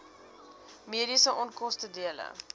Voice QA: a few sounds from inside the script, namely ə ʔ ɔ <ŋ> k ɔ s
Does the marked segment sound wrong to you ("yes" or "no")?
yes